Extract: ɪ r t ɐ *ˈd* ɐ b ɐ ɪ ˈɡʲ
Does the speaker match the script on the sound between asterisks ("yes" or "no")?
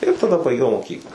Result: yes